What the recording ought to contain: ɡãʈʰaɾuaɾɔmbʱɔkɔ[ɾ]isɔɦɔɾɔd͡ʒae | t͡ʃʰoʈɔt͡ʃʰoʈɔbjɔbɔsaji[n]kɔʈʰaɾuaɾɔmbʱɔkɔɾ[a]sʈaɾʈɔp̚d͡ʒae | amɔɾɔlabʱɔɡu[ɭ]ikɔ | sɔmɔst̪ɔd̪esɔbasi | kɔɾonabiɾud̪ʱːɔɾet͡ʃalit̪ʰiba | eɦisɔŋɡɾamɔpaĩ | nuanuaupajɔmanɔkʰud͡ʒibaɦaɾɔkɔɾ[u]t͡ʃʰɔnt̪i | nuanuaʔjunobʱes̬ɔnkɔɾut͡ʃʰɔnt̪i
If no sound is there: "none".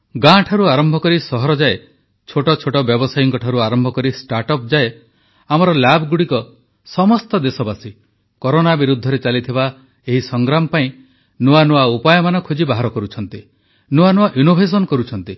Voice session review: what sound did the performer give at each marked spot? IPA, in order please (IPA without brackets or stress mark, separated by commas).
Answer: ɾ, ŋ, i, ɽ, u